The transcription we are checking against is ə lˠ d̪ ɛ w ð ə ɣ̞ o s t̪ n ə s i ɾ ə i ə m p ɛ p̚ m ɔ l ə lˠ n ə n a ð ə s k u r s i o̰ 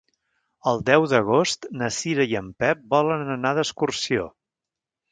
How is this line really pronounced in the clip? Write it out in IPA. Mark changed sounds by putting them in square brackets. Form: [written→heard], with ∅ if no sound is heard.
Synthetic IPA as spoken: ə lˠ d̪ ɛ w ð ə ɣ̞ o s t̪ n ə s i ɾ ə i ə m p ɛ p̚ [m→b] ɔ l ə [lˠ→∅] n ə n a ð ə s k u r s i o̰